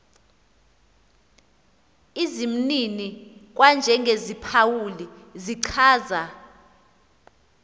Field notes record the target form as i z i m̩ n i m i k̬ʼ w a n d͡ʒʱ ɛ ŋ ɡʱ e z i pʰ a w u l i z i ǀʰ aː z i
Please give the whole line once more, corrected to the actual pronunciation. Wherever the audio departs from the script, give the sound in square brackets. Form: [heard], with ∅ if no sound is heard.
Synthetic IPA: i z i m̩ n i [n] i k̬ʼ w a n d͡ʒʱ ɛ ŋ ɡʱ e z i pʰ a w u l i z i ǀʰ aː z [a]